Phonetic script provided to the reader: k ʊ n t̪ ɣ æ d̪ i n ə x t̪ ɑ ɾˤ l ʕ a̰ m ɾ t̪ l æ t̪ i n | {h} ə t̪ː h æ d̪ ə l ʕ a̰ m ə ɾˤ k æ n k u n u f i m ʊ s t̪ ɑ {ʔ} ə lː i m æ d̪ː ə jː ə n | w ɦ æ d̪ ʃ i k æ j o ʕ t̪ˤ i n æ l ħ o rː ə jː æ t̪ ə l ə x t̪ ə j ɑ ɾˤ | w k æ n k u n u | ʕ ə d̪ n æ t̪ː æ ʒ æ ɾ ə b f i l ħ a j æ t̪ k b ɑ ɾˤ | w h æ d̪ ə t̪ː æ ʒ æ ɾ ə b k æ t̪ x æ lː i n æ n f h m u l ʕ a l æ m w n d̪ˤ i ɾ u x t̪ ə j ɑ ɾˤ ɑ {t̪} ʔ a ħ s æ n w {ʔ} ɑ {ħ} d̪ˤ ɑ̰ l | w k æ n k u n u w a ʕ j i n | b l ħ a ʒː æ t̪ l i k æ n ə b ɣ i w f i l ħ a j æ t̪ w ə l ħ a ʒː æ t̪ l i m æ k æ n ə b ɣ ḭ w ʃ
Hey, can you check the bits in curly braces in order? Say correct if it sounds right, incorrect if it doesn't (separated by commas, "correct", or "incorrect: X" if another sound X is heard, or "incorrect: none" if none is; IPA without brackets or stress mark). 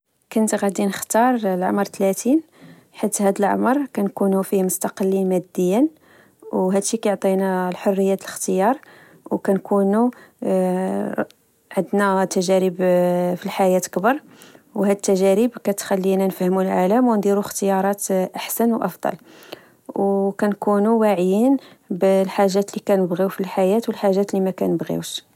incorrect: ħ, incorrect: q, correct, correct, incorrect: f